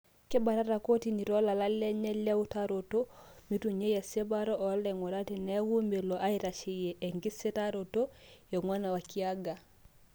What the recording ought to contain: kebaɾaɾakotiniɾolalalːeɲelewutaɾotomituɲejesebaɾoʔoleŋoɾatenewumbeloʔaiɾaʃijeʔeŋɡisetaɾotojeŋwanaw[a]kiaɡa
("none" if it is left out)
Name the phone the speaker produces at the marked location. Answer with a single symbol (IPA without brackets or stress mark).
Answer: a